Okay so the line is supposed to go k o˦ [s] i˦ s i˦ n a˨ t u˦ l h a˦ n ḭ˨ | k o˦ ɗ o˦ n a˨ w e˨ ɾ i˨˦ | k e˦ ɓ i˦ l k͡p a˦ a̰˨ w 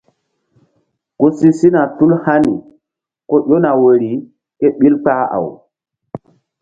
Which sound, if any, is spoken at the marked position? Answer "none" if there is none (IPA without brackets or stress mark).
s